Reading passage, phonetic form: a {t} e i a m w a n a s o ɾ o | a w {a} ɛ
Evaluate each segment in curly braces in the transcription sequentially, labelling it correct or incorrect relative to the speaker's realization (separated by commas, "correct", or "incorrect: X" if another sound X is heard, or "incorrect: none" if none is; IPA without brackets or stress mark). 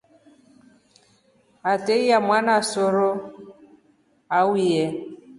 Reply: correct, incorrect: i